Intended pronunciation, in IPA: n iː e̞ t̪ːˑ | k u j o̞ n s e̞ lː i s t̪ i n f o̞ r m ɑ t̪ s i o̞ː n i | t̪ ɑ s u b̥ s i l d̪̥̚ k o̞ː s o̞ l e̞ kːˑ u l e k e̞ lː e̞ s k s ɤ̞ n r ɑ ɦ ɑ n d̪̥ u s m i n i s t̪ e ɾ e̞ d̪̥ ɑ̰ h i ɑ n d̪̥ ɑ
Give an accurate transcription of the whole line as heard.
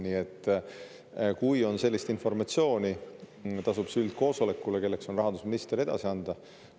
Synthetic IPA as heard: n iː e̞ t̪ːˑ | k u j o̞ n s e̞ lː i s t̪ i n f o̞ r m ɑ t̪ s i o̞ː n i | t̪ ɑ s u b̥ s y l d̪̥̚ k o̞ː s o̞ l e̞ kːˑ u l e k e̞ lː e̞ k s o̞ n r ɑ ɦ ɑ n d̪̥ u s m i n i s t̪ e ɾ e̞ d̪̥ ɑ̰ s i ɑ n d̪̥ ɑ